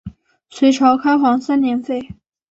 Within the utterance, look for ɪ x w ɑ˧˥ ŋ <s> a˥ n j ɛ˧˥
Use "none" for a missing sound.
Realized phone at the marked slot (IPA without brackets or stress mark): s